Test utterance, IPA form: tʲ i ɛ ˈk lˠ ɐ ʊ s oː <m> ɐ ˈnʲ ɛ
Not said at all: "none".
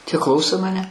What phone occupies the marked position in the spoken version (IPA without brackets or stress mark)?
m